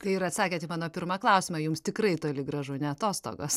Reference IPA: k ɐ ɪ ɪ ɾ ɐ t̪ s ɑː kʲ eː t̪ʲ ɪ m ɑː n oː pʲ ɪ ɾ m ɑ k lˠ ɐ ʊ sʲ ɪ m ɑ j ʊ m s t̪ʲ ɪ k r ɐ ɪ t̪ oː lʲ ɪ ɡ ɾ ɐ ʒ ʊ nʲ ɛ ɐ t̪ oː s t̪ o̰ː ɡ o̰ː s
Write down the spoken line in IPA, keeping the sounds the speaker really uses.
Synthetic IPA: k ɐ ɪ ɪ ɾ ɐ t̪ s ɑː kʲ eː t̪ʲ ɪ m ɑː n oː pʲ ɪ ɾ m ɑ k lˠ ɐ ʊ sʲ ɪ m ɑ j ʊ m s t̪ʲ ɪ k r ɐ ɪ t̪ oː lʲ ɪ ɡ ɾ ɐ ʒ ʊ nʲ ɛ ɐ t̪ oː s t̪ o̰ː ɡ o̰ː s

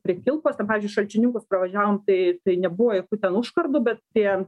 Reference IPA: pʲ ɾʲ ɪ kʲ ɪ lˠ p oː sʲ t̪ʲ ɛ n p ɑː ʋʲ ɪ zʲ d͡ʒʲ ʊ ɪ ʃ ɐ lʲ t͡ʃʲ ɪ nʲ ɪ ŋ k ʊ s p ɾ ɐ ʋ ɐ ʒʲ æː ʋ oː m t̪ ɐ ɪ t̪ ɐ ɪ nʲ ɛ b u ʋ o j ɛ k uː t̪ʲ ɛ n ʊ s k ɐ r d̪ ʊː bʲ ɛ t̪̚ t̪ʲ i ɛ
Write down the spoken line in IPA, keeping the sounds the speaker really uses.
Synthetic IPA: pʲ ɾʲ ɪ kʲ ɪ lˠ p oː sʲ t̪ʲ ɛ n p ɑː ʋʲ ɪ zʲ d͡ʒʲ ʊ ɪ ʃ ɐ lʲ t͡ʃʲ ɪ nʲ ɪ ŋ k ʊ s p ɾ ɐ ʋ ɐ ʒʲ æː ʋ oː m t̪ ɐ ɪ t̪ ɐ ɪ nʲ ɛ b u ʋ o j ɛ k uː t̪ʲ ɛ n ʊ ʃ k ɐ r d̪ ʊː bʲ ɛ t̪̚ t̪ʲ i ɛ

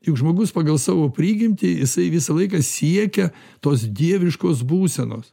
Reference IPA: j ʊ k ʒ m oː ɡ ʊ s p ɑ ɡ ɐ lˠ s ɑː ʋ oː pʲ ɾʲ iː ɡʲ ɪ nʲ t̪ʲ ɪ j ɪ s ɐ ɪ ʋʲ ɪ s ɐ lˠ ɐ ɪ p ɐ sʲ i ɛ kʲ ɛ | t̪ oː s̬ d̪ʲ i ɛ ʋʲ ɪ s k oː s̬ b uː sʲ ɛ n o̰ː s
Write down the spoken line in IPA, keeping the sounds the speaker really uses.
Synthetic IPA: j ʊ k ʒ m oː ɡ ʊ s p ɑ ɡ ɐ lˠ s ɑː ʋ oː pʲ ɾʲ iː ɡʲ ɪ mʲ t̪ʲ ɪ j ɪ s ɐ ɪ ʋʲ ɪ s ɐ lˠ ɐ ɪ k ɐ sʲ i ɛ kʲ ɛ | t̪ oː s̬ d̪ʲ i ɛ ʋʲ ɪ ʃ k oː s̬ b uː sʲ ɛ n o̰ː s

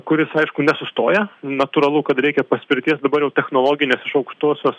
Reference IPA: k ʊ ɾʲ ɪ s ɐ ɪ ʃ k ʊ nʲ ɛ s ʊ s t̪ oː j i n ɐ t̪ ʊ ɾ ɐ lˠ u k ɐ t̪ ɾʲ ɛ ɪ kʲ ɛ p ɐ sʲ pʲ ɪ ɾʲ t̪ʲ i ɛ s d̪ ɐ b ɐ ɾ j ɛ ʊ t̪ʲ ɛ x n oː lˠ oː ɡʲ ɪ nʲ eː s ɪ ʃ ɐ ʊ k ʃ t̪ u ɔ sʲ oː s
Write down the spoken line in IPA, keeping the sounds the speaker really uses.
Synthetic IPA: k ʊ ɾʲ ɪ s ɐ ɪ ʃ k ʊ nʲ ɛ s ʊ s t̪ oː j ɛ n ɐ t̪ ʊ ɾ ɐ lˠ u k ɐ t̪ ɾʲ ɛ ɪ kʲ ɛ p ɐ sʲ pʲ ɪ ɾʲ t̪ʲ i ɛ s d̪ ɐ b ɐ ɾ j ɛ ʊ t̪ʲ ɛ x n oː lˠ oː ɡʲ ɪ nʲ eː s ɪ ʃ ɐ ʊ k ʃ t̪ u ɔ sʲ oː s

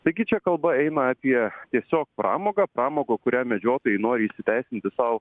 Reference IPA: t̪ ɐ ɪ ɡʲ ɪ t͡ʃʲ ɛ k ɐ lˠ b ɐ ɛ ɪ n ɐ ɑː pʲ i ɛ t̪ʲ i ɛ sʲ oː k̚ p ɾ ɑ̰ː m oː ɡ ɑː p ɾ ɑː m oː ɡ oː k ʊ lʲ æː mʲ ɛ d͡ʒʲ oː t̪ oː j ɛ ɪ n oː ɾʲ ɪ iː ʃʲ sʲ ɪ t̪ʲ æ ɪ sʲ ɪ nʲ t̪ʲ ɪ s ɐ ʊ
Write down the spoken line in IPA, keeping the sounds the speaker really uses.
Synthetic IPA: t̪ ɐ ɪ ɡʲ ɪ t͡ʃʲ ɛ k ɐ lˠ b ɐ ɛ ɪ n ɐ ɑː pʲ i ɛ t̪ʲ i ɛ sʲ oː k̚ p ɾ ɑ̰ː m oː ɡ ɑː p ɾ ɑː m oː ɡ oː k ʊ ɾʲ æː mʲ ɛ d͡ʒʲ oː t̪ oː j ɛ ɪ n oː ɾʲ ɪ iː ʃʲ sʲ ɪ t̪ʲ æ ɪ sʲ ɪ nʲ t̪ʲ ɪ s ɐ ʊ

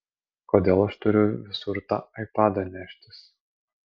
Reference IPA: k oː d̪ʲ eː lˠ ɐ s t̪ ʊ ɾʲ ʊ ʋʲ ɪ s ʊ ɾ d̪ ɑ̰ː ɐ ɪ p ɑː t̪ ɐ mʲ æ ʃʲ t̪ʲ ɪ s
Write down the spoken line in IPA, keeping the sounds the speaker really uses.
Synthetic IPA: k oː d̪ʲ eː lˠ ɐ ʃ t̪ ʊ ɾʲ ʊ ʋʲ ɪ s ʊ ɾ t̪ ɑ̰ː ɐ ɪ p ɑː d̪ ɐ nʲ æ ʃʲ t̪ʲ ɪ s

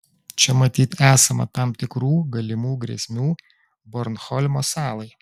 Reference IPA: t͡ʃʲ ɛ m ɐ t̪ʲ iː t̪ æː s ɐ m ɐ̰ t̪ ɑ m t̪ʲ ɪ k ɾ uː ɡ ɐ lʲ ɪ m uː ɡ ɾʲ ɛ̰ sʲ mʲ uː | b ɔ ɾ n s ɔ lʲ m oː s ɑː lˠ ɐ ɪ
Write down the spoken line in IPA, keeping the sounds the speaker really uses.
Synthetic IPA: t͡ʃʲ ɛ m ɐ t̪ʲ iː t̪ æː s ɐ m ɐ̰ t̪ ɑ m t̪ʲ ɪ k ɾ uː ɡ ɐ lʲ ɪ m uː ɡ ɾʲ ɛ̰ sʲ mʲ uː | b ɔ ɾ n x ɔ lʲ m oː s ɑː lˠ ɐ ɪ

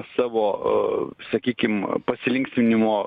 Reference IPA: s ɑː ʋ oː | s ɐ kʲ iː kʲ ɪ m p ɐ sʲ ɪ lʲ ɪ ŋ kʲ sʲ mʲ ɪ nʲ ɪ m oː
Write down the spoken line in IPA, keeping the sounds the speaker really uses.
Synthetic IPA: s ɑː ʋ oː | s ɐ kʲ iː kʲ ɪ m p ɐ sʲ ɪ lʲ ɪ ŋ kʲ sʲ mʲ ɪ nʲ ɪ m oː

